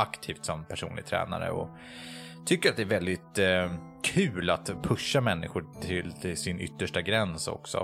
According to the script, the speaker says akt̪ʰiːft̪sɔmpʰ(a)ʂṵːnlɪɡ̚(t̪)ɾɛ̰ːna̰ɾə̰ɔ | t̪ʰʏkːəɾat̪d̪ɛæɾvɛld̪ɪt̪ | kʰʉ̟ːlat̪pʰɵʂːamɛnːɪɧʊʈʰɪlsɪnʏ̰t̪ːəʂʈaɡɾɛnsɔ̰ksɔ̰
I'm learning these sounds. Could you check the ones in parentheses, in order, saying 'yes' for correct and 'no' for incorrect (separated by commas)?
no, no